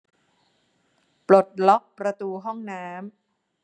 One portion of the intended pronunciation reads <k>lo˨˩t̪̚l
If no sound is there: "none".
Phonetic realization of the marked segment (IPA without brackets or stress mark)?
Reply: p